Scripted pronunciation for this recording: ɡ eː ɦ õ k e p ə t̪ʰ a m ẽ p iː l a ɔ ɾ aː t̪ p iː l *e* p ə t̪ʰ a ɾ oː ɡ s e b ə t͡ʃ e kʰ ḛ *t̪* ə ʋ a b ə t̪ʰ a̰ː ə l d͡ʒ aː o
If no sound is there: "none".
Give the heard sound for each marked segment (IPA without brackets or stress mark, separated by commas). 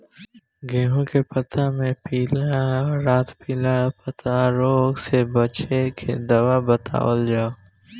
a, d̪